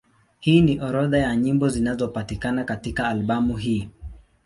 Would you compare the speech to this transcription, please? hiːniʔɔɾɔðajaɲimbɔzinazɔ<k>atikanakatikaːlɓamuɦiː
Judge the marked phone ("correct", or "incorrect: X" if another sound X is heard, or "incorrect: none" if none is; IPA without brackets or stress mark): incorrect: p